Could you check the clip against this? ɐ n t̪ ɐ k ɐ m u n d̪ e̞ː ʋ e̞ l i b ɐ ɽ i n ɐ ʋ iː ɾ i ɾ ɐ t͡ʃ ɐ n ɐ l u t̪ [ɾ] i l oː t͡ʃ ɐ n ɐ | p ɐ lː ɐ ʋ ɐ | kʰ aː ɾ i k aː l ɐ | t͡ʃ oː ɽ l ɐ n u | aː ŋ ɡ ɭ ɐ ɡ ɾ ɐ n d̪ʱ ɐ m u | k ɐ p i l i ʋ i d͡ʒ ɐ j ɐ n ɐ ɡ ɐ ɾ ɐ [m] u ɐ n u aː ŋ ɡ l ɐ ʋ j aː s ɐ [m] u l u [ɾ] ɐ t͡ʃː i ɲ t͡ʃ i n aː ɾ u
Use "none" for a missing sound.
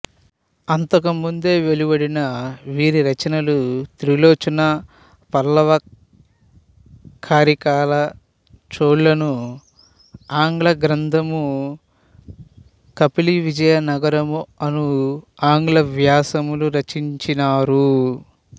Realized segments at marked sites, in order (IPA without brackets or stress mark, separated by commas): ɾ, m, m, ɾ